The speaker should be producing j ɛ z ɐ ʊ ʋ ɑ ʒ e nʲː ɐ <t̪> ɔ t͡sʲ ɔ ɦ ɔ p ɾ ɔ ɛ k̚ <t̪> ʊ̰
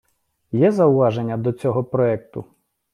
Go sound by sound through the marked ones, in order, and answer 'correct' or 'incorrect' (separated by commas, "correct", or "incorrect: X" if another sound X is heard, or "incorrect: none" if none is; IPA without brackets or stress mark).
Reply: incorrect: d̪, correct